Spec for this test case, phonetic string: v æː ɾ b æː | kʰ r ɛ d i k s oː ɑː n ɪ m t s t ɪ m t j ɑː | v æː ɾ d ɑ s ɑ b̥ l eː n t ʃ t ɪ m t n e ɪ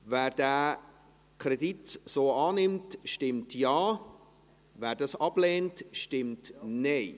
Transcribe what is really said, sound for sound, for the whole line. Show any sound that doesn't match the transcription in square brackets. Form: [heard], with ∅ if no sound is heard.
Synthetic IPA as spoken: v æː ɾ [d] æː | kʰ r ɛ d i [t] s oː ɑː n ɪ m t [ʃ] t ɪ m t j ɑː | v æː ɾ d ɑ s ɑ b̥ l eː n t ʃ t ɪ m t n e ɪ